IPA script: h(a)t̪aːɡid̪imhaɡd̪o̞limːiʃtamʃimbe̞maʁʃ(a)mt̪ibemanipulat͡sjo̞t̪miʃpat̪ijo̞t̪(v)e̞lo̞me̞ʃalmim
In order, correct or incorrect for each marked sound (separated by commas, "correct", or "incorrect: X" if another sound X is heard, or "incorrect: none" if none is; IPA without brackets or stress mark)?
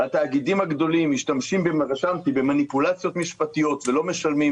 correct, correct, correct